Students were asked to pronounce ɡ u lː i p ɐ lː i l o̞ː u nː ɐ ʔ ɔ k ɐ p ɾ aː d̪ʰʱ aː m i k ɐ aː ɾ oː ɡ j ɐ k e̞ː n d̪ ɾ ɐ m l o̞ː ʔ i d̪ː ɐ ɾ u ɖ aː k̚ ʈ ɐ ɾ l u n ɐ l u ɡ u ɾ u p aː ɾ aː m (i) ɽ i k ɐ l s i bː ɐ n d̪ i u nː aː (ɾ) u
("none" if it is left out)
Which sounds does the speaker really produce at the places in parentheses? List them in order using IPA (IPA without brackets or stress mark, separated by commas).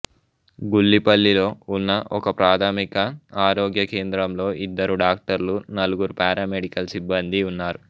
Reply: e, ɾ